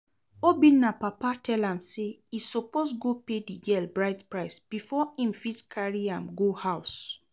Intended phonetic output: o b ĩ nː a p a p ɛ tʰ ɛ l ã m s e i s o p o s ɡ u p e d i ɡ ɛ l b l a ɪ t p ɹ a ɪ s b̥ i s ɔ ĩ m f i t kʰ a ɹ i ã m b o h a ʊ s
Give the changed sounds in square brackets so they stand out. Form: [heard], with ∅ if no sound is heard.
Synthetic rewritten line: o b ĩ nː a p a p [a] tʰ ɛ l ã m s e i s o p o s ɡ [o] p e d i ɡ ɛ l b [ɹ] a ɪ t p ɹ a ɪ s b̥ i [f] ɔ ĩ m f i t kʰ a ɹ i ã m [ɡ] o h a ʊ s